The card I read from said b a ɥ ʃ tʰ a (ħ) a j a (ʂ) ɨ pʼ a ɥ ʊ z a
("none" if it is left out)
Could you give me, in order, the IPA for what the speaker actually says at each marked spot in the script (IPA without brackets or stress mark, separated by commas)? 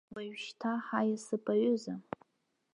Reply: ħ, s